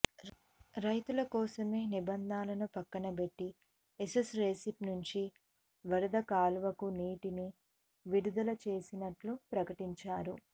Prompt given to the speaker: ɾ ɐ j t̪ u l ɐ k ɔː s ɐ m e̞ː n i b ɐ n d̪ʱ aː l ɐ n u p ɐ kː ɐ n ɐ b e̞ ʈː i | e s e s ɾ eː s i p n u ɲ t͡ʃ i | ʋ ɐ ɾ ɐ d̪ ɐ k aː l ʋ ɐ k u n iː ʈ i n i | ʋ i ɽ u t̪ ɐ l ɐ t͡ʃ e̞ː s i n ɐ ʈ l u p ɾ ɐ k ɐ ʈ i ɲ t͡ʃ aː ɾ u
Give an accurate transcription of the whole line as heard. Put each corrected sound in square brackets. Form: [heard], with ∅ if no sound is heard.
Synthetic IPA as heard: ɾ ɐ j t̪ u l ɐ k ɔː s ɐ m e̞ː n i b ɐ n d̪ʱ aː l ɐ n u p ɐ kː ɐ n ɐ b e̞ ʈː i | e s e s ɾ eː s i p n u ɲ t͡ʃ i | ʋ ɐ ɾ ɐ d̪ ɐ k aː l ʋ ɐ k u n iː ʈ i n i | ʋ i ɽ u [d̪] ɐ l ɐ t͡ʃ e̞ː s i n ɐ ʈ l u p ɾ ɐ k ɐ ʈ i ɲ t͡ʃ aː ɾ u